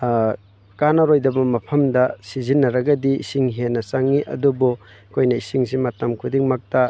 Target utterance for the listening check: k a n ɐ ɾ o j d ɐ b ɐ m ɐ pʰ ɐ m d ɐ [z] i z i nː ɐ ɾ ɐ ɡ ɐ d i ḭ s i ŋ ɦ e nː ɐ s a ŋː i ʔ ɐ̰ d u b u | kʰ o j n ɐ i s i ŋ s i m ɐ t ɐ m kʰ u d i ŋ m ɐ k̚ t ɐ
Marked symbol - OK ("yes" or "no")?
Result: no